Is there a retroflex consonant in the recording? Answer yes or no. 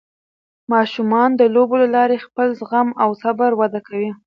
no